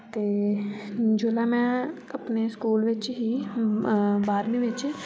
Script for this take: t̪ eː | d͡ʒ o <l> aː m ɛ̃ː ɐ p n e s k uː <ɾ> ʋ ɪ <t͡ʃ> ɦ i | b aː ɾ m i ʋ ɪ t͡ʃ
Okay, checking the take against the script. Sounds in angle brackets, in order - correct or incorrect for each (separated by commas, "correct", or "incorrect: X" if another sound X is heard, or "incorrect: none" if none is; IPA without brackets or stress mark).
correct, incorrect: l, correct